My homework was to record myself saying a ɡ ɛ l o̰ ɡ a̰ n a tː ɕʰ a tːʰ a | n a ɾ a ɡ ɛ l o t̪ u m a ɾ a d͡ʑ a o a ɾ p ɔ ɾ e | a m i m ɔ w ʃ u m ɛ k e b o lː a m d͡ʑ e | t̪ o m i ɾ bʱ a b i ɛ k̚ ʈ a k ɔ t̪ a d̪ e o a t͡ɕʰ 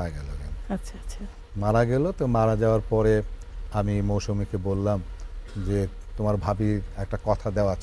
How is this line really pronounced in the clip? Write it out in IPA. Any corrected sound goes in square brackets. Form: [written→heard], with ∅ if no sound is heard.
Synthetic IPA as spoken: a ɡ ɛ l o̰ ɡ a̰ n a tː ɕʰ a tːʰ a | [n→m] a ɾ a ɡ ɛ l o t̪ [u→o] m a ɾ a d͡ʑ a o a ɾ p ɔ ɾ e | a m i m [ɔ→o] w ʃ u m [ɛ→i] k e b o lː a m d͡ʑ e | t̪ o m [i→a] ɾ bʱ a b i ɛ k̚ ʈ a k ɔ [t̪→t̪ʰ] a d̪ e o a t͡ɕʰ